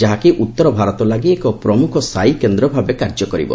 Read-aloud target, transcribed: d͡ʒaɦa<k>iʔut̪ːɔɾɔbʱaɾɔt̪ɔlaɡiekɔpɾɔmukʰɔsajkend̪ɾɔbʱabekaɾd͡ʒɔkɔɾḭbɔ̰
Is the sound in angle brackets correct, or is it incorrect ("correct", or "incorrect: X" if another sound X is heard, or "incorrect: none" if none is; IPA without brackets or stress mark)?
correct